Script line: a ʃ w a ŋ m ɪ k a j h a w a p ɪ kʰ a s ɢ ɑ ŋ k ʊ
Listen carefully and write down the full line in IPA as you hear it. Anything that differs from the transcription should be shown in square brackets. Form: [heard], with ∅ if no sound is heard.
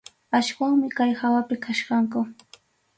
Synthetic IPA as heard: a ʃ w a ŋ m ɪ k a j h a w a p ɪ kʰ a [ʃ] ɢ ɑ ŋ k ʊ